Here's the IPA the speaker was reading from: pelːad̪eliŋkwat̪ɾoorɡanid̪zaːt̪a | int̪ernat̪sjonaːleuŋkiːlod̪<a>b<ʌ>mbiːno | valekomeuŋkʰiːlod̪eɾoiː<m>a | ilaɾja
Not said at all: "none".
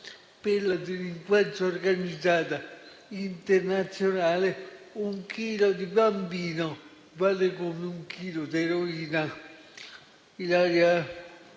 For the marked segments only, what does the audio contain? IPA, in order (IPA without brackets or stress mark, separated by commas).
i, a, n